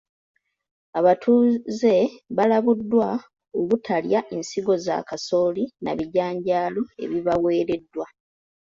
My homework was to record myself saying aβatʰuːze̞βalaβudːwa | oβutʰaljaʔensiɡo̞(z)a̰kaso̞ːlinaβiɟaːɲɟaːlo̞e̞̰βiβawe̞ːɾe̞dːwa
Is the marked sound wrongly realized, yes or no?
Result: no